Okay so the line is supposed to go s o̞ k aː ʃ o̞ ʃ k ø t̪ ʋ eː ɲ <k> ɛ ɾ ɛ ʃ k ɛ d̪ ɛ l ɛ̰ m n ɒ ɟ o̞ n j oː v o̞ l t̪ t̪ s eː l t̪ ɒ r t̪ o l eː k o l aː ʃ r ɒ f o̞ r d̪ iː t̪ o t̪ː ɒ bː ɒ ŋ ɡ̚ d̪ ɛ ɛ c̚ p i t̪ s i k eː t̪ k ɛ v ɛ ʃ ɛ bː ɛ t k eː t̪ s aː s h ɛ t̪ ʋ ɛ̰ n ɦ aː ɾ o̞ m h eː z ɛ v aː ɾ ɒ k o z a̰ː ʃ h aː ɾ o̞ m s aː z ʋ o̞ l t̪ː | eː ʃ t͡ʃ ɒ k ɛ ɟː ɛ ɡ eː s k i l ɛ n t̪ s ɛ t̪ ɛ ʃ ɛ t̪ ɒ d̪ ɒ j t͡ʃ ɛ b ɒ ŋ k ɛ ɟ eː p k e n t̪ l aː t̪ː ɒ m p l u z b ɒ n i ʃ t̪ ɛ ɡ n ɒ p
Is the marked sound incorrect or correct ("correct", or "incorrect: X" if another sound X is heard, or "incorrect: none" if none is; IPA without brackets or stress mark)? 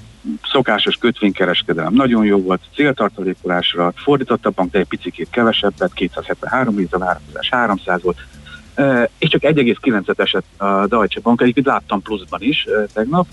correct